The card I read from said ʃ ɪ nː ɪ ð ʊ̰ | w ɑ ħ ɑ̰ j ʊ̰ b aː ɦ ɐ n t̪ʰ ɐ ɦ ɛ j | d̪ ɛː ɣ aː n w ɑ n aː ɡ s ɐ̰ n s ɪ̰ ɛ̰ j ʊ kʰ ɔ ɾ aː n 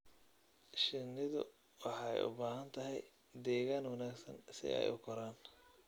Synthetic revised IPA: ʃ ɪ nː ɪ ð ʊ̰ | w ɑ ħ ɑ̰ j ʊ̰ b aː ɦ ɐ n t̪ʰ ɐ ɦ ɛ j | d̪ ɛː ɣ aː n w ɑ n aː ɡ s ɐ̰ n s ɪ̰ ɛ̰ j ʊ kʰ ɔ ɾ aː n